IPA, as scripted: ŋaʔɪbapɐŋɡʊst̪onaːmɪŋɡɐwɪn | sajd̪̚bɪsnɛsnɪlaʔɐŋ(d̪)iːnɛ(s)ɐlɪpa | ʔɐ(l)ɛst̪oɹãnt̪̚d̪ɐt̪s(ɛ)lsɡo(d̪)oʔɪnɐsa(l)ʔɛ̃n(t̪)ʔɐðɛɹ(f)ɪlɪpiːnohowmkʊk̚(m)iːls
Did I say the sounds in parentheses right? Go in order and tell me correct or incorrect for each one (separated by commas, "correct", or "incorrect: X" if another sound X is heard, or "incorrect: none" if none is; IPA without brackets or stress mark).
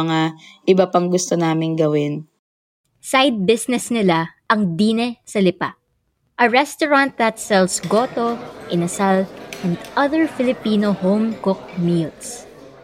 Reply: correct, correct, incorrect: ɹ, correct, incorrect: t̪, correct, incorrect: d̪, correct, correct